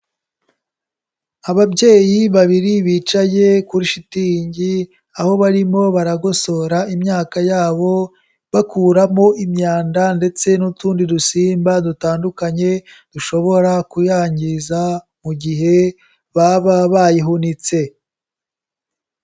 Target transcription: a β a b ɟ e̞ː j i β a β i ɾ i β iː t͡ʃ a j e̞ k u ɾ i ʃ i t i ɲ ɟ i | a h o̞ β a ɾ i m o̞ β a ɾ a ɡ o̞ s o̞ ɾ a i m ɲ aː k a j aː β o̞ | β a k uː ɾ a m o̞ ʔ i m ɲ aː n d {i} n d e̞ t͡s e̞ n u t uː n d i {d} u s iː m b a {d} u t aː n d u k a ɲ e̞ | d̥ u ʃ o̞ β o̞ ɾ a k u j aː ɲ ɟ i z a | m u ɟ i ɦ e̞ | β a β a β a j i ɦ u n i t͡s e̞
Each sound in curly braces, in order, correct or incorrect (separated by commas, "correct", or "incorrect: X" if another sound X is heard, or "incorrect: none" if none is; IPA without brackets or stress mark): incorrect: a, correct, correct